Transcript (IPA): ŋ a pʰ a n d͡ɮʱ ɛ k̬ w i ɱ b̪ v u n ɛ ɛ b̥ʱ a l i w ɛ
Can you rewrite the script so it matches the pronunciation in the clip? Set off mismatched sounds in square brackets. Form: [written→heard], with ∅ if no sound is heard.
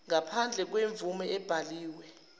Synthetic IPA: ŋ a pʰ a n d͡ɮʱ ɛ k̬ w [i→e] ɱ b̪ v u [n→m] ɛ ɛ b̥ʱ a l [i→iː] w ɛ